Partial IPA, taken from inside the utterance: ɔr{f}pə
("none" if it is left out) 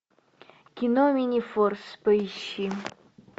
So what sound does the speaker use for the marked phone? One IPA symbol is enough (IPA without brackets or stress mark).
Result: s